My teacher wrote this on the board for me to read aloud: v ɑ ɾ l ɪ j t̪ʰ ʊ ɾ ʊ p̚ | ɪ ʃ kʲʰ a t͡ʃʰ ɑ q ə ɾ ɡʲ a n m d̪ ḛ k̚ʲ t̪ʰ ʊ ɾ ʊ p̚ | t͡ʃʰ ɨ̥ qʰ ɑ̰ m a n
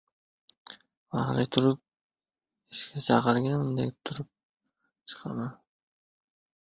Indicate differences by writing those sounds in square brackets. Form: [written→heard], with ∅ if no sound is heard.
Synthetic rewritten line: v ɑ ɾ l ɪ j t̪ʰ ʊ ɾ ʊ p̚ | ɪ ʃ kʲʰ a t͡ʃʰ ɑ q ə ɾ ɡʲ a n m d̪ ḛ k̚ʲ t̪ʰ ʊ ɾ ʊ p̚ | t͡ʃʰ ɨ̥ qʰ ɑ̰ m a n